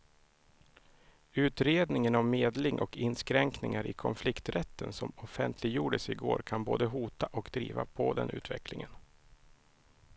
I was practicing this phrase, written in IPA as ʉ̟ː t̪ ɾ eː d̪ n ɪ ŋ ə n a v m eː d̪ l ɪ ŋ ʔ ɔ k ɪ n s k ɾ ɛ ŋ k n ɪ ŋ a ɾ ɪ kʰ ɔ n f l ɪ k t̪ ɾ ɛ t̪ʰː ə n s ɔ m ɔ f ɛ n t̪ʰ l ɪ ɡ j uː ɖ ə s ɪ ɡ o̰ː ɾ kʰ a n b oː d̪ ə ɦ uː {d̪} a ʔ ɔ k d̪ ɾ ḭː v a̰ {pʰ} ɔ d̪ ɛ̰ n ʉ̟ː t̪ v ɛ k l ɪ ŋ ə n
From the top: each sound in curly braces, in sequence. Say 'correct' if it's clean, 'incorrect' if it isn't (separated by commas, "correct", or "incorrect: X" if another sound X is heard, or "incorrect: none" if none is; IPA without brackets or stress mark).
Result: incorrect: t̪, correct